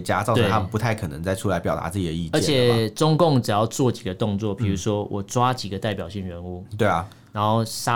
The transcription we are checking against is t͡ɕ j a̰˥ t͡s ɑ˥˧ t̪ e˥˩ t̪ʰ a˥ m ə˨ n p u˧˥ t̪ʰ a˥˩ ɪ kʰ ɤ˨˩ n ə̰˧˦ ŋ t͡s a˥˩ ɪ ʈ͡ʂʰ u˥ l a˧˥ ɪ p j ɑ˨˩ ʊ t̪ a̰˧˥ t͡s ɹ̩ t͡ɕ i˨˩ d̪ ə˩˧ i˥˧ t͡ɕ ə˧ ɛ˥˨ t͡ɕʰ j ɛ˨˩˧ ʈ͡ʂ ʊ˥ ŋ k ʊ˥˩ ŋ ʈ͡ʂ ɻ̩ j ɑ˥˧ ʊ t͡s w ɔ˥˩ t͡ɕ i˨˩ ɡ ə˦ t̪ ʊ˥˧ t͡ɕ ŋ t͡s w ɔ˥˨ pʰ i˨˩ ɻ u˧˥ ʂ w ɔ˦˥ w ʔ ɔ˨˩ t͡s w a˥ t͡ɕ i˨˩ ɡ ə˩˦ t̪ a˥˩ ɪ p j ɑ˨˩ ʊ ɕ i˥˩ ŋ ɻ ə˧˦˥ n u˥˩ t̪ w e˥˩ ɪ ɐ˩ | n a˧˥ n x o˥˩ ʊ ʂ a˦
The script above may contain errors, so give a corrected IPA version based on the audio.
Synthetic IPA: t͡ɕ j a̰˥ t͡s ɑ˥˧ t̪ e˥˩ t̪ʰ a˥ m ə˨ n p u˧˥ t̪ʰ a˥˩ ɪ kʰ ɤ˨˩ n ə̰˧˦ ŋ t͡s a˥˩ ɪ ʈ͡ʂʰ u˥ l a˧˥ ɪ p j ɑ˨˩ ʊ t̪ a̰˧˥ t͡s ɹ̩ t͡ɕ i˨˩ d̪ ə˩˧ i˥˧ t͡ɕ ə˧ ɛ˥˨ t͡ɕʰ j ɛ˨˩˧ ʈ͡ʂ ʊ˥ ŋ k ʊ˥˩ ŋ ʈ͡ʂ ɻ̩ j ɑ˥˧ ʊ t͡s w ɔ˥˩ t͡ɕ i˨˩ ɡ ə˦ t̪ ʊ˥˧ ŋ t͡s w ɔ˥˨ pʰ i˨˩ ɻ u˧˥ ʂ w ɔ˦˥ w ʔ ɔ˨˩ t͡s w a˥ t͡ɕ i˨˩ ɡ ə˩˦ t̪ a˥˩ ɪ p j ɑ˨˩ ʊ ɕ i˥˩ ŋ ɻ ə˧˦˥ n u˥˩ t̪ w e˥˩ ɪ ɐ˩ | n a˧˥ n x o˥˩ ʊ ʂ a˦